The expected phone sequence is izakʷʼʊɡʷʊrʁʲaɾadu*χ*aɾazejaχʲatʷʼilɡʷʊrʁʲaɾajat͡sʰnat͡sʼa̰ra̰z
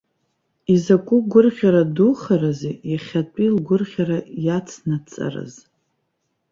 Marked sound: correct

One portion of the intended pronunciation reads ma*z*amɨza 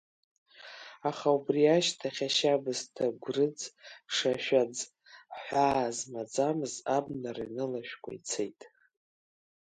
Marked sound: incorrect: d͡z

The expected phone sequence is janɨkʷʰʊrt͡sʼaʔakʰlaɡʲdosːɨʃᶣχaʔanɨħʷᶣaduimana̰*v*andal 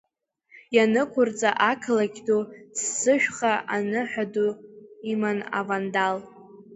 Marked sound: correct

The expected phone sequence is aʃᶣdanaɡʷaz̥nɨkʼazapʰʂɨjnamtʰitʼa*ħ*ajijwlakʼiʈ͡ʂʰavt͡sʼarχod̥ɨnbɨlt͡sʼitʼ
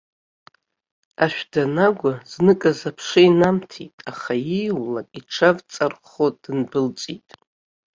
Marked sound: incorrect: χ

